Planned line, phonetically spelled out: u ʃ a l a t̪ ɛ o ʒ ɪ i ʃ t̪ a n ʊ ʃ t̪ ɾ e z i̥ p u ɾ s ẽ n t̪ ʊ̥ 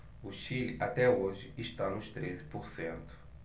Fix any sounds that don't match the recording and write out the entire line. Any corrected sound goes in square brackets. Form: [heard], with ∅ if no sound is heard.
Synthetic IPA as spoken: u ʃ [i] l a t̪ ɛ o ʒ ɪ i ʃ t̪ a n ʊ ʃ t̪ ɾ e z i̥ p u ɾ s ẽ n t̪ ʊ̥